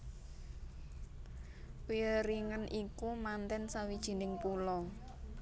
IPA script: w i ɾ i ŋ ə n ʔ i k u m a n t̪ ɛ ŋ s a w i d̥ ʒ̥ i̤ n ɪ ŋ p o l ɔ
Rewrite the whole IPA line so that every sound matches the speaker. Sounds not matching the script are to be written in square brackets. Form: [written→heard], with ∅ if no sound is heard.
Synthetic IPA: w i ɾ i ŋ ə n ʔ i k u m a n t̪ ɛ [ŋ→n] s a w i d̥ ʒ̥ i̤ n ɪ ŋ p [o→u] l ɔ